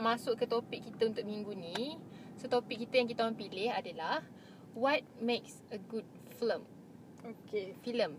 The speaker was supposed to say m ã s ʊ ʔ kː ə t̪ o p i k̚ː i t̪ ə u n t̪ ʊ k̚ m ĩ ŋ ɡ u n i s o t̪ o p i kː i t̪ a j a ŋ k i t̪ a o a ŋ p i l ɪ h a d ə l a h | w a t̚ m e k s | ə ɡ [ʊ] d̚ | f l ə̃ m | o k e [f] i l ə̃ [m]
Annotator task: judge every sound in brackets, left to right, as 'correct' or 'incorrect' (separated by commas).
incorrect, correct, correct